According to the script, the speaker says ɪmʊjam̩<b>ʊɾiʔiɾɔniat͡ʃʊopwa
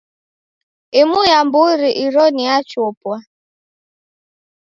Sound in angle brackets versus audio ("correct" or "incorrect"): correct